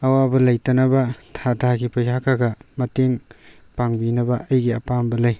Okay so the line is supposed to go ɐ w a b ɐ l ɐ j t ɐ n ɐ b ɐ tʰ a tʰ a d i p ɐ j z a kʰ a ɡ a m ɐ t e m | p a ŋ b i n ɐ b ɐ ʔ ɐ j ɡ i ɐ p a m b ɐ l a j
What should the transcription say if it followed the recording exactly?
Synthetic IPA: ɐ w a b ɐ l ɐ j t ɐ n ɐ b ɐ tʰ a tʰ a ɡ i p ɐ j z a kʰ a ɡ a m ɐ t e ŋ | p a ŋ b i n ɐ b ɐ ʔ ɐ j ɡ i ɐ p a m b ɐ l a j

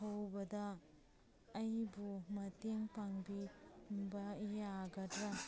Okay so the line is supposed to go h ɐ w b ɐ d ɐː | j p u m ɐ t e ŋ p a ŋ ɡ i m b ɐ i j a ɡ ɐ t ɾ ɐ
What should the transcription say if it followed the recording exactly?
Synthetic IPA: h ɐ w b ɐ d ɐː | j b u m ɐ t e ŋ p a ŋ b i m b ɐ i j a ɡ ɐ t ɾ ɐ

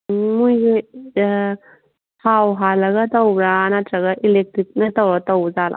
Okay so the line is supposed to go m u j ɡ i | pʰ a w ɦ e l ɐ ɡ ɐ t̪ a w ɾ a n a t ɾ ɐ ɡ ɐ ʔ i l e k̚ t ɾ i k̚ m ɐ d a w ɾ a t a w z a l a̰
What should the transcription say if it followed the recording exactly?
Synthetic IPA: m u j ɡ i | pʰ a w ɦ a l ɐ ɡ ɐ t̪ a w ɾ a n a t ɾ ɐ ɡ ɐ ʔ i l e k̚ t ɾ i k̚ n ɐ t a w ɾ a t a w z a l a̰

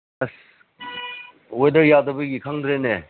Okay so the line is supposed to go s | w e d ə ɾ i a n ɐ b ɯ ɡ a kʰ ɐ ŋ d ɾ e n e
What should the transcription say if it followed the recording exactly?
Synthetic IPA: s | w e d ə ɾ j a d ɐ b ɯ ɡ i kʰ a ŋ d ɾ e n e

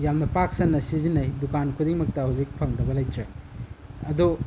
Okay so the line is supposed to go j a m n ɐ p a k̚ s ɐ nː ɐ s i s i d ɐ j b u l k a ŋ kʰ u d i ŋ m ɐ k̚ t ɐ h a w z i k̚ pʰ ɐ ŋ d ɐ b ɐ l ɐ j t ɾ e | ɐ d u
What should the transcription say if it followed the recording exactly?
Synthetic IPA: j a m n ɐ p a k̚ s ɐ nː ɐ s i z i n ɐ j d u k a n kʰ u d i ŋ m ɐ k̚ t ɐ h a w z i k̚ pʰ ɐ ŋ d ɐ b ɐ l ɐ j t ɾ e | ɐ d u

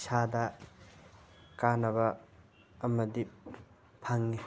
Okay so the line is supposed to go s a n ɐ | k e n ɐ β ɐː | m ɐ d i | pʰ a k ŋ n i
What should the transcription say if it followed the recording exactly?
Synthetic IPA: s a d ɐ | k a n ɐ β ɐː | m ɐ d i | pʰ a ŋ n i

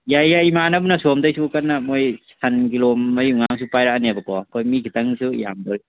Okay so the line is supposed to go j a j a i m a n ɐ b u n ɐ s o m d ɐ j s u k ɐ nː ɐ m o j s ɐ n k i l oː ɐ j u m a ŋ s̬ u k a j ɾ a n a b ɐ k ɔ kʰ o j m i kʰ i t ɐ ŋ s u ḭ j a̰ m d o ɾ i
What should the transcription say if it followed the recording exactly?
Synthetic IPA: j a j a i m a n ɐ b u n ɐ s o m d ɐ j s u k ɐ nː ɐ m o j s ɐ n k i l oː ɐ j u ŋ a ŋ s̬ u p a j ɾ a n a b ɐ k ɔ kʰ o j m i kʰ i t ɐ ŋ s u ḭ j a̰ m d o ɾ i

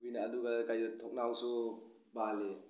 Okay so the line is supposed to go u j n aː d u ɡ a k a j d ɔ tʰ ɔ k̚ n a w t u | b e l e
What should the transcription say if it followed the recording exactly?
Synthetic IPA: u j n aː d u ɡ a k a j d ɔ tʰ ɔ k̚ n a w s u | b a l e

